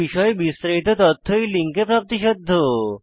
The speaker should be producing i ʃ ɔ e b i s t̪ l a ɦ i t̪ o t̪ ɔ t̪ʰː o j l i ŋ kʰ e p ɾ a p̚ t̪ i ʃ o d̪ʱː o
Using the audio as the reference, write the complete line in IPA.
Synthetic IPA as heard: i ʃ ɔ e b i s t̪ ɾ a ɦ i t̪ o t̪ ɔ t̪ʰː o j l i ŋ k e p ɾ a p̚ t̪ i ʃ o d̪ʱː o